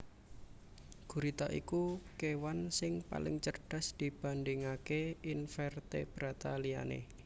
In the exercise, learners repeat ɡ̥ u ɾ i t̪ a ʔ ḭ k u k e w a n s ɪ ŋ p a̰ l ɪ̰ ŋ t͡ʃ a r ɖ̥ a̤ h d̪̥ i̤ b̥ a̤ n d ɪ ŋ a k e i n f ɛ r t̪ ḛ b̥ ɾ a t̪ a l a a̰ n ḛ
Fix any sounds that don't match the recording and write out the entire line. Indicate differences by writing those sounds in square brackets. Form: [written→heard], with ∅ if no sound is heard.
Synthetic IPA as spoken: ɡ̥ u ɾ i t̪ a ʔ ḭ k u k e w a n s ɪ ŋ p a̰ l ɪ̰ ŋ t͡ʃ [a→ə] r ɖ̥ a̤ [h→s] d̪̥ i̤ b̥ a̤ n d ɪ ŋ a k e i n f ɛ r t̪ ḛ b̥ ɾ a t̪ a l [a→i] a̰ n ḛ